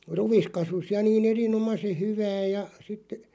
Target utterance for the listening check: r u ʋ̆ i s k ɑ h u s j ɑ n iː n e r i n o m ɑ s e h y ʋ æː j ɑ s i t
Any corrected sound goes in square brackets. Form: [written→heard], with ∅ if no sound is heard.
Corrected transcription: r u ʋ̆ i s k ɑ [h→s] u s j ɑ n iː n e r i n o m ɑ s e h y ʋ æː j ɑ s i t